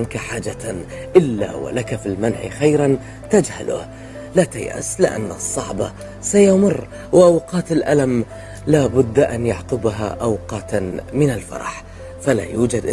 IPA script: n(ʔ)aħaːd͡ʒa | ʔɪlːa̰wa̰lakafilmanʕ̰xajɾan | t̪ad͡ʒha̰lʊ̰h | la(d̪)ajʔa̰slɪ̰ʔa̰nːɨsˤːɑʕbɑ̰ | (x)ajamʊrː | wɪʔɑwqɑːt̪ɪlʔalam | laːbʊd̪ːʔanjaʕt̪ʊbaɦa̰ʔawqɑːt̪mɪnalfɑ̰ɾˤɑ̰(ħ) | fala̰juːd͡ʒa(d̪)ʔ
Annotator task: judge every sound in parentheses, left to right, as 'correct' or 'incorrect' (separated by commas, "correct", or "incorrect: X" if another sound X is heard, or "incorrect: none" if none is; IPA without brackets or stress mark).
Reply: incorrect: k, incorrect: t̪, incorrect: s, correct, correct